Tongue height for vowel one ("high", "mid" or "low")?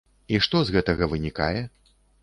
high